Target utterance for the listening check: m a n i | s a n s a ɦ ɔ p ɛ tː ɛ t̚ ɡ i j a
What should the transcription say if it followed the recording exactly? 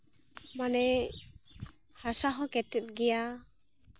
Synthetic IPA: m a n ɛ | h a s a ɦ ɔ k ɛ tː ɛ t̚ ɡ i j a